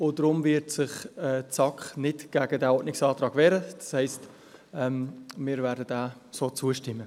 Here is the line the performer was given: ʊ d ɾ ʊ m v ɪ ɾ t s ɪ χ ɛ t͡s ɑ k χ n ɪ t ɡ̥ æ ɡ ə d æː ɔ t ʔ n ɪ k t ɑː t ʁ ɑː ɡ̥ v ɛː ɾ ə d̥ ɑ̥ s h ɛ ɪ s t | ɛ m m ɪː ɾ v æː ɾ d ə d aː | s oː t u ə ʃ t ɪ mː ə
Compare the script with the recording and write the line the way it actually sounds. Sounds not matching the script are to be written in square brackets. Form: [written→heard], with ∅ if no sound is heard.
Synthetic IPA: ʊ d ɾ ʊ m v ɪ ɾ t s ɪ χ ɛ t͡s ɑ k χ n ɪ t ɡ̥ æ ɡ ə d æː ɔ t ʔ n ɪ k [t→s] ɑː t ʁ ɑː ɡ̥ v ɛː ɾ ə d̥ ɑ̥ s h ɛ ɪ s t | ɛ m m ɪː ɾ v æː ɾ d ə d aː | s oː [t→t͡s] u ə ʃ t ɪ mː ə